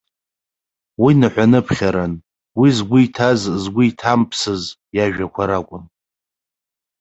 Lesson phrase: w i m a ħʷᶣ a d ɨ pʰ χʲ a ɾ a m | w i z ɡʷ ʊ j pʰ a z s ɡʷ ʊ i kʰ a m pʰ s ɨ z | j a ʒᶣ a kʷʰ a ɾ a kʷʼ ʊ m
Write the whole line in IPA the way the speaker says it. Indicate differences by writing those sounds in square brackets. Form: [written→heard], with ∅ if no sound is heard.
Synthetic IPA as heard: w i [m→n] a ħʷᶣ a [d→n] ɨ pʰ χʲ a ɾ a [m→n] | w i z ɡʷ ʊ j [pʰ→tʰ] a z [s→z] ɡʷ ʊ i [kʰ→tʰ] a m pʰ s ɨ z | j a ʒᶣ a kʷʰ a ɾ a kʷʼ ʊ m